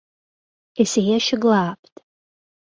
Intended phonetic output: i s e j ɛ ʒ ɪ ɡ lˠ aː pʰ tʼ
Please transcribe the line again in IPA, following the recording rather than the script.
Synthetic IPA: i s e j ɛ ʃ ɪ ɡ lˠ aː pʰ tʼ

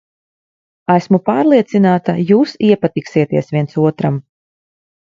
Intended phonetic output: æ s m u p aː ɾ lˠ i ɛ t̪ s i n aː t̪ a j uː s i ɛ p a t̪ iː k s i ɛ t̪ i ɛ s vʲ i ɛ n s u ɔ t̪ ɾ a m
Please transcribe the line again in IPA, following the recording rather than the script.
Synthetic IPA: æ s m u p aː ɾ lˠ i ɛ t̪ s i n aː t̪ a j uː s i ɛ p a t̪ i k s i ɛ t̪ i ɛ s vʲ i ɛ n s u ɔ t̪ ɾ a m

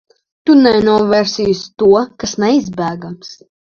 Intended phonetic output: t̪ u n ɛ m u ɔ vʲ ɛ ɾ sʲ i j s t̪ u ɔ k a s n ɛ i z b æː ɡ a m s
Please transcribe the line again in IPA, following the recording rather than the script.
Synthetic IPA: t̪ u n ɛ n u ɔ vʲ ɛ ɾ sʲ i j s t̪ u ɔ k a s n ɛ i z b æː ɡ a m s

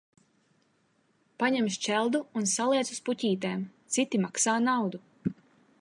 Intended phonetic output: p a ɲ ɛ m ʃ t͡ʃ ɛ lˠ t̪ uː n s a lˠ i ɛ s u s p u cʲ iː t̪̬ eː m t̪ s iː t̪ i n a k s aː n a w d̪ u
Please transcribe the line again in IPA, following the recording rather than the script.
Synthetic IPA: p a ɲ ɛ m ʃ t͡ʃ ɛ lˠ d̪ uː n s a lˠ i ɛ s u s p u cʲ iː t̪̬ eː m t̪ s i t̪ i m a k s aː n a w d̪ u

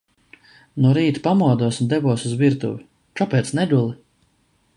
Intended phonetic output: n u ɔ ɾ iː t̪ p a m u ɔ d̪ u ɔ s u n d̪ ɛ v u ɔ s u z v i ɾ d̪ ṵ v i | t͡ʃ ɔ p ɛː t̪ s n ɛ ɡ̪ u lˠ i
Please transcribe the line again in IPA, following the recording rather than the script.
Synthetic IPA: n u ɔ ɾ iː t̪ p a m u ɔ d̪ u ɔ s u n d̪ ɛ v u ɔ s u z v i ɾ t̪ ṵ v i | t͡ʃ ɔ p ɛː t̪ s n ɛ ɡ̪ u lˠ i

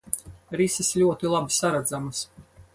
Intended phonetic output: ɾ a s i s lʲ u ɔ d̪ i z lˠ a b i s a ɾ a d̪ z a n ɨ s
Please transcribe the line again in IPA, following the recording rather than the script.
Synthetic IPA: ɾ i s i s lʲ u ɔ t̪ i lˠ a b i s a ɾ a d̪ z a m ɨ s

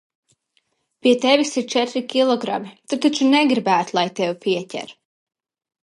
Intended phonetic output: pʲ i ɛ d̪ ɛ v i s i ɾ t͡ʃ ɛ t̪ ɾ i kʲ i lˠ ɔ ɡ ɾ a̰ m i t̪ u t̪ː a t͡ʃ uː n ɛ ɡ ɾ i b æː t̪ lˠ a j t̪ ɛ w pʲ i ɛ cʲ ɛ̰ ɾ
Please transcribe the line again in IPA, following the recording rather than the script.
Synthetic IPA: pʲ i ɛ t̪ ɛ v i s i ɾ t͡ʃ ɛ t̪ ɾ i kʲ i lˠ ɔ ɡ ɾ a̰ m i t̪ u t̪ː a t͡ʃ u n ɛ ɡ ɾ i b æː t̪ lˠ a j t̪ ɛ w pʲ i ɛ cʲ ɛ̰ ɾ

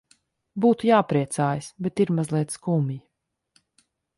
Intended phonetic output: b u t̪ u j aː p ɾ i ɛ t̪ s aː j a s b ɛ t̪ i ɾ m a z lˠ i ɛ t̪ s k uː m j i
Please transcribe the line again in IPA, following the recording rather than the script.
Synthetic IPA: b uː t̪ u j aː p ɾ i ɛ t̪ s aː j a s b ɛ t̪ i ɾ m a z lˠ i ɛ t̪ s k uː m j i

